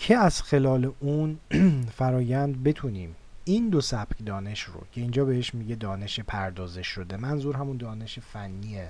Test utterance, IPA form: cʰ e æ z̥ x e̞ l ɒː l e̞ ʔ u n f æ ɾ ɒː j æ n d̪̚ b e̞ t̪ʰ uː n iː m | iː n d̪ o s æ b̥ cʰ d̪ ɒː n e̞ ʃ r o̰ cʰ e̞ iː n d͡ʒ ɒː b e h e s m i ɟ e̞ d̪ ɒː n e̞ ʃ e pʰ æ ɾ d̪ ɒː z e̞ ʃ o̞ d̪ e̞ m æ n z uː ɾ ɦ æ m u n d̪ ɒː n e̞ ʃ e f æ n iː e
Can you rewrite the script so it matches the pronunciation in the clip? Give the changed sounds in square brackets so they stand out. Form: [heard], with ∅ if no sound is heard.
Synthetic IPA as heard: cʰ e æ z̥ x e̞ l ɒː l e̞ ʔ u n f æ ɾ ɒː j æ n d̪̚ b e̞ t̪ʰ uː n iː m | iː n d̪ o s æ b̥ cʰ d̪ ɒː n e̞ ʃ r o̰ cʰ e̞ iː n d͡ʒ ɒː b e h e [ʃ] m i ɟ e̞ d̪ ɒː n e̞ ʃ e pʰ æ ɾ d̪ ɒː z e̞ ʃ o̞ d̪ e̞ m æ n z uː ɾ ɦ æ m u n d̪ ɒː n e̞ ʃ e f æ [nː] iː e